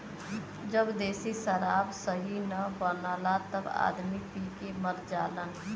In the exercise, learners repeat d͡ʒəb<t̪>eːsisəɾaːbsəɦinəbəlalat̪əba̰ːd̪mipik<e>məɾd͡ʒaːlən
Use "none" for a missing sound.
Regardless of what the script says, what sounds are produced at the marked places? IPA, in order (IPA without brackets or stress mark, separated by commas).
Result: d̪, e